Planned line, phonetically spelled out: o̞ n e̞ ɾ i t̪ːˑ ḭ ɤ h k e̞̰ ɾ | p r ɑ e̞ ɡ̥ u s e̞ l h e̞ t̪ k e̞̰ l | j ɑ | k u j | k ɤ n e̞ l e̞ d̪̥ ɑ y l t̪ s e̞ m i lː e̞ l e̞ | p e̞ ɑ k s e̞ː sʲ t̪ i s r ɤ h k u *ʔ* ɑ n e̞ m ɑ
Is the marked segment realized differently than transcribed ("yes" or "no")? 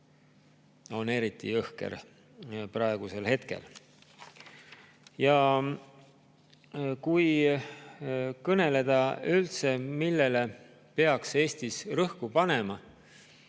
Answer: yes